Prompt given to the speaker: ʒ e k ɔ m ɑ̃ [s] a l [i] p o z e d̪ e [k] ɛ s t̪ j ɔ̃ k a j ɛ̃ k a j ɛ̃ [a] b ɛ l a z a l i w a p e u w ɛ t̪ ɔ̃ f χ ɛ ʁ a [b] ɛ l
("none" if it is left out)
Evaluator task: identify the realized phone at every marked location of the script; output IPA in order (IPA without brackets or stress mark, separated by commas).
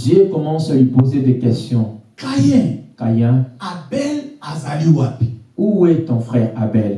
s, i, k, a, b